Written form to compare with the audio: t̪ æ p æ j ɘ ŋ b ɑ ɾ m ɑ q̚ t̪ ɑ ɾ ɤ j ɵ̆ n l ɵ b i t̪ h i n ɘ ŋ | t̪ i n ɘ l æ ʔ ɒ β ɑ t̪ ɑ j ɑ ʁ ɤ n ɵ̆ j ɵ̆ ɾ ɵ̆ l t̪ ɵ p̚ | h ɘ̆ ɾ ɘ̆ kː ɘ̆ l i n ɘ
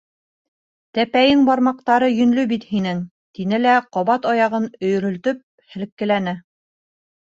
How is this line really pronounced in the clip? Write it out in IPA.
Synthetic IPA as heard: t̪ æ p æ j ɘ ŋ b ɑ ɾ m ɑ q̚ t̪ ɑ ɾ ɤ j ɵ̆ n l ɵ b i t̪ h i n ɘ ŋ | t̪ i n ɘ l æ q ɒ β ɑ t̪ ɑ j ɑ ʁ ɤ n ɵ̆ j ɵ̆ ɾ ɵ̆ l t̪ ɵ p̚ | h ɘ̆ l ɘ̆ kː ɘ̆ l æ n ɘ